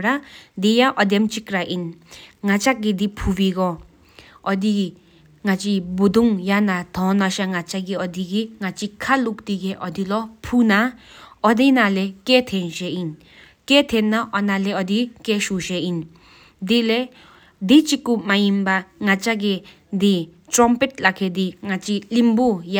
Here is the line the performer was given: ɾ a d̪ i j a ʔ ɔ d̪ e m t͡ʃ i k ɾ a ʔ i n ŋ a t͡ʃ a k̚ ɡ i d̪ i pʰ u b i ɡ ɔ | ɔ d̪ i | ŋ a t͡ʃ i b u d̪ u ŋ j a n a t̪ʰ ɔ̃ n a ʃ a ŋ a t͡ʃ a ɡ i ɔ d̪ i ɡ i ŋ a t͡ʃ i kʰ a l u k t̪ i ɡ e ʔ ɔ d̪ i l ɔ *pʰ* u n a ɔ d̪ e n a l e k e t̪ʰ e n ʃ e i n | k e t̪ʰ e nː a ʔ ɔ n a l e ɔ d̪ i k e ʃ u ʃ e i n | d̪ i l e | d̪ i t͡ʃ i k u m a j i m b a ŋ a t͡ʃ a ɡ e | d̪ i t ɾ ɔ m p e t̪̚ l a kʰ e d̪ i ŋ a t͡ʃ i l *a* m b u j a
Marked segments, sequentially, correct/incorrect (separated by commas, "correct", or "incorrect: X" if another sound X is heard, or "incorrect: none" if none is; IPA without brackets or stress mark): correct, incorrect: i